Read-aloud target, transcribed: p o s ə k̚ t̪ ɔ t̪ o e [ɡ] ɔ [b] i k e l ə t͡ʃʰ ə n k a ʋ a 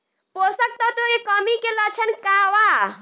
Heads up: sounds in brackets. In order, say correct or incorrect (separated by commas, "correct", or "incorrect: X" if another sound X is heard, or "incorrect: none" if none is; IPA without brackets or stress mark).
incorrect: k, incorrect: m